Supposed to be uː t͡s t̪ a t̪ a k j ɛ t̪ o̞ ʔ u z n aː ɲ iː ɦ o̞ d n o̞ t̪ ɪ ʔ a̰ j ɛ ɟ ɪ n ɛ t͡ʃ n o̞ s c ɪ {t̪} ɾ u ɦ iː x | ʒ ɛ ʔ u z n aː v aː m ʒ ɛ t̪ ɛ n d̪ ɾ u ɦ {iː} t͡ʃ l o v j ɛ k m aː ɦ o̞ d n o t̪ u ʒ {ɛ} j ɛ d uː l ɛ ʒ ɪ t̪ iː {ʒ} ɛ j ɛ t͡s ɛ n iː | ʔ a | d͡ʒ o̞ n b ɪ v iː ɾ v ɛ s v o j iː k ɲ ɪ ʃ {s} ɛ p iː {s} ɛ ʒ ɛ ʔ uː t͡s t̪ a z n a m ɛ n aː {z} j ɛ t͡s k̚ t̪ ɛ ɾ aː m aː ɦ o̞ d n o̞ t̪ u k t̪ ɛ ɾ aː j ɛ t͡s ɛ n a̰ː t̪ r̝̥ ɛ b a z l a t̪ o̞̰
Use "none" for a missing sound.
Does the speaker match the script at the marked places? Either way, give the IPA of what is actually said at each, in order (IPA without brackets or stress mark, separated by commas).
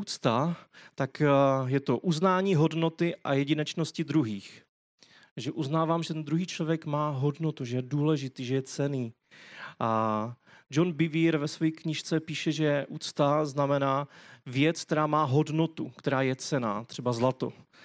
d̪, iː, ɛ, ʒ, t͡s, ʃ, v